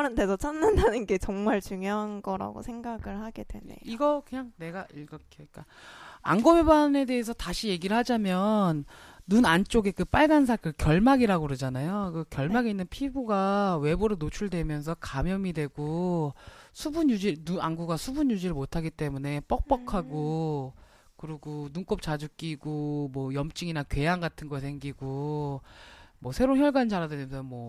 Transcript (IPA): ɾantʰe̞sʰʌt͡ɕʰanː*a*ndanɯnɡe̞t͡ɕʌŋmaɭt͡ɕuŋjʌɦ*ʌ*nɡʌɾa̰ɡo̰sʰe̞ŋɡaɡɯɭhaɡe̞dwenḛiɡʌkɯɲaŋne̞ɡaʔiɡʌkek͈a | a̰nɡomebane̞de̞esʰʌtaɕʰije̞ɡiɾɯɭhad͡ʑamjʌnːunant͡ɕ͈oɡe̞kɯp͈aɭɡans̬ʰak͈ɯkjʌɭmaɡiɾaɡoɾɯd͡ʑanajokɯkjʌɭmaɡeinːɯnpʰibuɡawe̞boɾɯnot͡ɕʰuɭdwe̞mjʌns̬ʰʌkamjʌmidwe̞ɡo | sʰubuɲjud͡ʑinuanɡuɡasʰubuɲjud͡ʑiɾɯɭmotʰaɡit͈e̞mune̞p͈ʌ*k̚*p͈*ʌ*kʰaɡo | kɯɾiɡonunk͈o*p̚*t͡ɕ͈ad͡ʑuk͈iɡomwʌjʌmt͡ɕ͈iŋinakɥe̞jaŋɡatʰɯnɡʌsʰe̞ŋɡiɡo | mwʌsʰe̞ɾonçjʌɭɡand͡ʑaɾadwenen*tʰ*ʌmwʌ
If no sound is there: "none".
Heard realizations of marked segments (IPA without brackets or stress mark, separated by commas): a, a, k̚, ʌ, p̚, sʰ